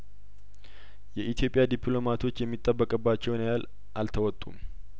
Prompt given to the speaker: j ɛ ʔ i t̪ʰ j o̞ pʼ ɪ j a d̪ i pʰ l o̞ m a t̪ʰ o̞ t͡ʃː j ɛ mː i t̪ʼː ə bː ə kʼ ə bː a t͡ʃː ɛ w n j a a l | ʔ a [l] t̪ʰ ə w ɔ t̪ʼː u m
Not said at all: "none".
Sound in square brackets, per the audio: l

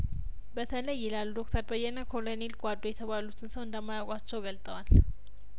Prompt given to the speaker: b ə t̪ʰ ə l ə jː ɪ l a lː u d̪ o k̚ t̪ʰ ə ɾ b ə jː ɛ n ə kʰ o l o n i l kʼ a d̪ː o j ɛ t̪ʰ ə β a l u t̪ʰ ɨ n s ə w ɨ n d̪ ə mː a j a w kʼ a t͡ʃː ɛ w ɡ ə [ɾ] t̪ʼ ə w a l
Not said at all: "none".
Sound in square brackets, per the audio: l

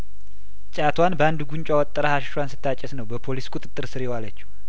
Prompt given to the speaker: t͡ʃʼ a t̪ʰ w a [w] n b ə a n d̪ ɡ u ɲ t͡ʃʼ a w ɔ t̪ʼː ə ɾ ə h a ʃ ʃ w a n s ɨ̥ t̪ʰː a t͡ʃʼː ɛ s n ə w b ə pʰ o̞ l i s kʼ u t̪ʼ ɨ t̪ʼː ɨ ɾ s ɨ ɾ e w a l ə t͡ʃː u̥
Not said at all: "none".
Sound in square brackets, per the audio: none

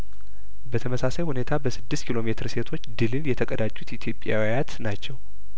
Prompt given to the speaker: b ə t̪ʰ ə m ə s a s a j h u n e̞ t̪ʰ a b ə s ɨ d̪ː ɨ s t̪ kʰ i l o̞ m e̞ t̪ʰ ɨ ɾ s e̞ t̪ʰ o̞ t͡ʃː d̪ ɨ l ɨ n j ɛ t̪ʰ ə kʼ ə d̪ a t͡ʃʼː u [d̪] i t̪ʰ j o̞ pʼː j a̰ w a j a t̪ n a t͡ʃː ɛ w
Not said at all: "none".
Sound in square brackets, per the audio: t̪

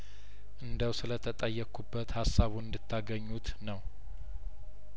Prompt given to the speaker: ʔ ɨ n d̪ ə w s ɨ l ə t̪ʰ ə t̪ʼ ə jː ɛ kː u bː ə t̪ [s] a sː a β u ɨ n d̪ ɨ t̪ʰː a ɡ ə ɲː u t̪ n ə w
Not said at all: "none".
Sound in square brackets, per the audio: h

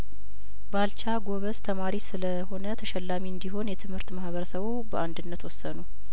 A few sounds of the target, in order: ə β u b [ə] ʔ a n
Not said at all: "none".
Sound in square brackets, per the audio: ə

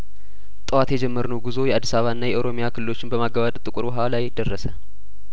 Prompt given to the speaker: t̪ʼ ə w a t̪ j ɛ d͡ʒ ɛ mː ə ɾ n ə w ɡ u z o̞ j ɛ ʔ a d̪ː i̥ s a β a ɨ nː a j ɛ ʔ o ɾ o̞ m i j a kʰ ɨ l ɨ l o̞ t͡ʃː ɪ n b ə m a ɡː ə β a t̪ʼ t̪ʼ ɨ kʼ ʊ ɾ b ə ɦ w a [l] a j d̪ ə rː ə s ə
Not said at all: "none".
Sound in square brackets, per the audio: l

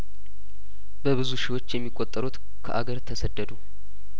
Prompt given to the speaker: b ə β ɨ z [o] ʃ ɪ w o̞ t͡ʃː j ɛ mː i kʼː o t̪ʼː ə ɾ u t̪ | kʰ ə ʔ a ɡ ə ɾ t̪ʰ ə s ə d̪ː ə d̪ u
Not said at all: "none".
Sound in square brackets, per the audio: u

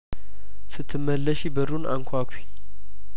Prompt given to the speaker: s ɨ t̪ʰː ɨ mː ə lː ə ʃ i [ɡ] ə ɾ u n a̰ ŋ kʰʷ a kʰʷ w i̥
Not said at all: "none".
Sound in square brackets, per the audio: b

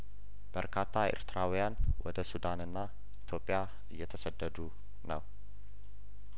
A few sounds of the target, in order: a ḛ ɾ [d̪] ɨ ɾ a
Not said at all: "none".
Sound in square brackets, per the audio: t̪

